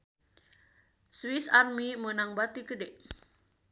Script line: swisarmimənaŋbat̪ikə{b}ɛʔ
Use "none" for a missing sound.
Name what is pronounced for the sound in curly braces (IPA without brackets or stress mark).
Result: d